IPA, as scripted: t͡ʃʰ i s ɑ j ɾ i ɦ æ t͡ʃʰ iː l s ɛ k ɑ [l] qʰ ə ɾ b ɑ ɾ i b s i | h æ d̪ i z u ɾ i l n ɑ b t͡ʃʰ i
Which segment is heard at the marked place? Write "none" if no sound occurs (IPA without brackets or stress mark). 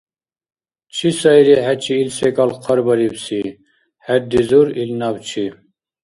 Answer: l